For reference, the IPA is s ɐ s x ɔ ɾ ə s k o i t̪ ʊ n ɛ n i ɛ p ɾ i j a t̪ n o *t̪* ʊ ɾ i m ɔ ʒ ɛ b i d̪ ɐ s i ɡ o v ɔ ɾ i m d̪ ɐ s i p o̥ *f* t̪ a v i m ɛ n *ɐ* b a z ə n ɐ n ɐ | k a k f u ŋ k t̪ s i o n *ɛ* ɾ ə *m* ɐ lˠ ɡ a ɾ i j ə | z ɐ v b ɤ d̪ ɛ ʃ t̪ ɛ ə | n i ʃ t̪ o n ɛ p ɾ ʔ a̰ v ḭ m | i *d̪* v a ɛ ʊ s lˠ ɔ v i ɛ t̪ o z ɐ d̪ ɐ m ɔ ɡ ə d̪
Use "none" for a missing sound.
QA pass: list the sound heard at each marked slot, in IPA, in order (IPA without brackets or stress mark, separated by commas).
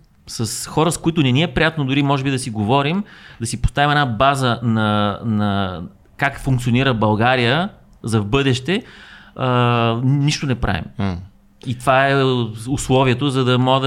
d̪, s, a, i, b, t̪